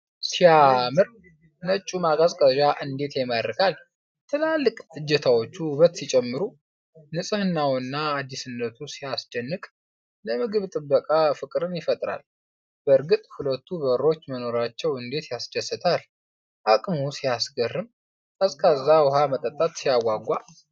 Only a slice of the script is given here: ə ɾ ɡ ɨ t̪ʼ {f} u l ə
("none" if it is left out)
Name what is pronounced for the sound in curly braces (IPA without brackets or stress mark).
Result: h